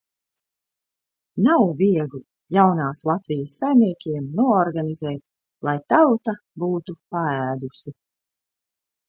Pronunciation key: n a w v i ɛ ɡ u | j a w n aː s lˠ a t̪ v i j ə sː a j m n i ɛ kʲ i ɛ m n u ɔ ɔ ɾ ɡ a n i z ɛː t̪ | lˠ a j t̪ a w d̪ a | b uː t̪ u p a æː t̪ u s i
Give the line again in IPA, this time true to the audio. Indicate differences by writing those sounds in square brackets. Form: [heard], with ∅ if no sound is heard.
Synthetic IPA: n a w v i ɛ ɡ u | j a w n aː s lˠ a t̪ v i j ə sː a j m n i ɛ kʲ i ɛ m n u ɔ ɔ ɾ ɡ a n i z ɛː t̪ | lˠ a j t̪ a w [t̪] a | b uː t̪ u p a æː [d̪] u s i